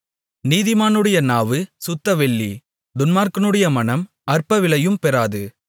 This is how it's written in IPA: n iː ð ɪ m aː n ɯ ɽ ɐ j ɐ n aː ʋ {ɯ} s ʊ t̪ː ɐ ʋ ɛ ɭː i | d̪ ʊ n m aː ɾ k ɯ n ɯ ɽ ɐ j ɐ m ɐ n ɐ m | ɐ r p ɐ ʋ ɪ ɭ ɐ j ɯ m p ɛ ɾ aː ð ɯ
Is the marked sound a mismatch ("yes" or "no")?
no